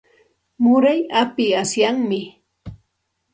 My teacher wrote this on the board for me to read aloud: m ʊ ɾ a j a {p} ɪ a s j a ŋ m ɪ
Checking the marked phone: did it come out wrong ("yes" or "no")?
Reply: no